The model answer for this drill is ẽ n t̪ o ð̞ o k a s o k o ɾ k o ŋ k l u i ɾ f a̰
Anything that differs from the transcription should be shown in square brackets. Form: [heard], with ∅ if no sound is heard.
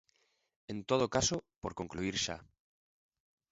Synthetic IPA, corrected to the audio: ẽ n t̪ o ð̞ o k a s o [p] o ɾ k o ŋ k l u i ɾ [ʃ] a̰